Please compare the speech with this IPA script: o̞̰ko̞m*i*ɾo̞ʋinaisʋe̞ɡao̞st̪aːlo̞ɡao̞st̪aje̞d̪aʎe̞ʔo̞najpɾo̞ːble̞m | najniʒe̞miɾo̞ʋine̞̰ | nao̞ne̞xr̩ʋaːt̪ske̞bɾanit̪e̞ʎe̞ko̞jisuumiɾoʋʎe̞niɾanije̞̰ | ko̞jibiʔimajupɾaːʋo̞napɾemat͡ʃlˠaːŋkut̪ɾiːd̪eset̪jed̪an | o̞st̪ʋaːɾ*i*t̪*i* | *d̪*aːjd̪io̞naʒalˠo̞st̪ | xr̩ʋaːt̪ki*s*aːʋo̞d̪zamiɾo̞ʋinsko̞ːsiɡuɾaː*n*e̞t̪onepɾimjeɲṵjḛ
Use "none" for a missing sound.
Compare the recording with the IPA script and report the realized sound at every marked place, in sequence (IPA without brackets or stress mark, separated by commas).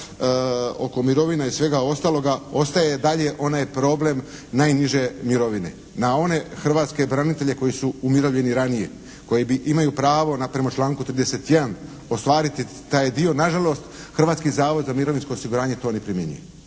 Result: i, i, i, t̪, z, ɲ